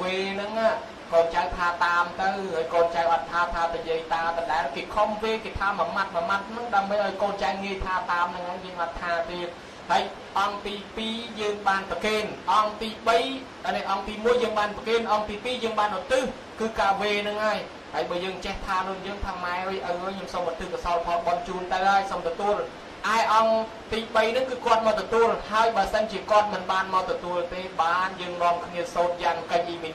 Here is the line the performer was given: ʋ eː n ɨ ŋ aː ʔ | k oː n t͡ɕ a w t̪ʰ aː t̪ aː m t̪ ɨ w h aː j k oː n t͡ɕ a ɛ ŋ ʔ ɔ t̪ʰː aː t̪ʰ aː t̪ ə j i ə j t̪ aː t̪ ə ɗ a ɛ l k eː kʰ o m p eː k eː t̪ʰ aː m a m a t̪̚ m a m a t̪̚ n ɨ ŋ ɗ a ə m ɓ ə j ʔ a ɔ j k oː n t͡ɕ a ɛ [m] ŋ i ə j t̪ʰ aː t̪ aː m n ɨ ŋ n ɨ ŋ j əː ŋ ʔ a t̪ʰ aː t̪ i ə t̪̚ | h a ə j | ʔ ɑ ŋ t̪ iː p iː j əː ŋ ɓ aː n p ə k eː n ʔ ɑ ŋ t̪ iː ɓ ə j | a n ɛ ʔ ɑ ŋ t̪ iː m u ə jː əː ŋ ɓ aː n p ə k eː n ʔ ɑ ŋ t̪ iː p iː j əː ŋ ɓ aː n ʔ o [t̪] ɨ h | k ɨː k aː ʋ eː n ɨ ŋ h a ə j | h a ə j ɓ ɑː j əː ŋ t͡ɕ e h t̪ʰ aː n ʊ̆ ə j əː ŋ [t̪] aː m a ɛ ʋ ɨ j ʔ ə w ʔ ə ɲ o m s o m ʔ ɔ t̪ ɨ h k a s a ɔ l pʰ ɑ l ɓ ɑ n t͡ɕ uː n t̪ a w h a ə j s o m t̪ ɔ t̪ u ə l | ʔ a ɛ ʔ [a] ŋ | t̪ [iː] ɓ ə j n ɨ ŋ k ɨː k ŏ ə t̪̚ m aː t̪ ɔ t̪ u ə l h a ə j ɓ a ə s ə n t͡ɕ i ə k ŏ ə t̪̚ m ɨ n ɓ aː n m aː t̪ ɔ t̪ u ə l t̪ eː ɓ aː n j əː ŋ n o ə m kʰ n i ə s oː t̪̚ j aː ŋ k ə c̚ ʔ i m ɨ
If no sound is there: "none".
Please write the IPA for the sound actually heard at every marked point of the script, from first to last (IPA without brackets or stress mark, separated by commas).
ŋ, t̪, t̪ʰ, ɑ, iː